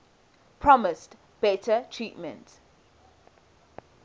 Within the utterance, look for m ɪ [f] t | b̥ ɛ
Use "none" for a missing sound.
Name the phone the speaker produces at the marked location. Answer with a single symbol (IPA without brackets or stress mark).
s